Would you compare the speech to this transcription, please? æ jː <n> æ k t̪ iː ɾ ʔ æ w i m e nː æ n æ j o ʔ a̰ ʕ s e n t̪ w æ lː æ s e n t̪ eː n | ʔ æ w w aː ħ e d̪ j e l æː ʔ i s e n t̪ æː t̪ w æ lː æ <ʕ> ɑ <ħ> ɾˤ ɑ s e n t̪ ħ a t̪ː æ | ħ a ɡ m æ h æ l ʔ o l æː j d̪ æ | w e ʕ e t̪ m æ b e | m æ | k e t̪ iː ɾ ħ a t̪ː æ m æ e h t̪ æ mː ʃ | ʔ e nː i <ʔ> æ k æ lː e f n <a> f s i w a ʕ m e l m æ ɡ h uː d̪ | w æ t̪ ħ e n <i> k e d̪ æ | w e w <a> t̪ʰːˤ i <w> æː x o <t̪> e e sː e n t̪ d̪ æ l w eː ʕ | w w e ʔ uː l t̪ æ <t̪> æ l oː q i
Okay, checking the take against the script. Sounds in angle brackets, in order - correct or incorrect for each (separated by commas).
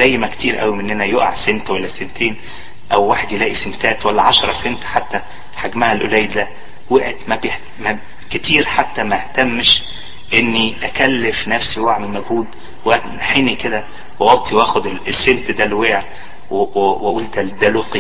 incorrect, correct, incorrect, correct, incorrect, correct, incorrect, correct, incorrect, incorrect